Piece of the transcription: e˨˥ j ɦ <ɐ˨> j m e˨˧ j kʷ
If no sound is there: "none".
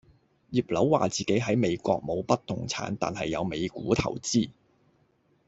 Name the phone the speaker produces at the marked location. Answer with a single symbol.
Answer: ɐ˨˥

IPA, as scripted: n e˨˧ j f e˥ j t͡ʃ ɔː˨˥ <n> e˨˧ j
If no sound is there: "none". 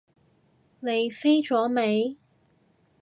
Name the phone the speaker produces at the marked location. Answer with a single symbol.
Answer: m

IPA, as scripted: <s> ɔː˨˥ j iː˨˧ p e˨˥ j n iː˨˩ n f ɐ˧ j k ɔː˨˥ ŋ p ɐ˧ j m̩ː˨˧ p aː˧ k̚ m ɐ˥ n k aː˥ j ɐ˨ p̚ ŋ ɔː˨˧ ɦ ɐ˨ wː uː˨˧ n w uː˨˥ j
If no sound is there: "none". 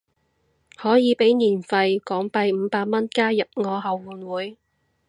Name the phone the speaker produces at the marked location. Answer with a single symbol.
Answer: h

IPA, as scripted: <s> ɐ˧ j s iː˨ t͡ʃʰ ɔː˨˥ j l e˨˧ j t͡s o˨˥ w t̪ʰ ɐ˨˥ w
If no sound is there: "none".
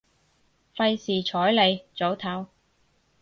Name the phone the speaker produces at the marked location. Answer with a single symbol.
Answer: f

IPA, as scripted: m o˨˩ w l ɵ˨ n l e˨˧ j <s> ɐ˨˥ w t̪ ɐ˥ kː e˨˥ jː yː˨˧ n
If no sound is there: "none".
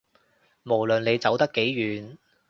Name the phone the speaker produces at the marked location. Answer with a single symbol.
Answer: t͡s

